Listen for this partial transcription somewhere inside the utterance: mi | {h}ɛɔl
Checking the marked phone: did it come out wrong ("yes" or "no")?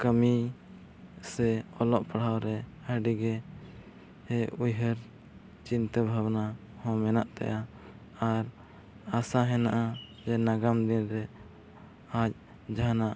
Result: yes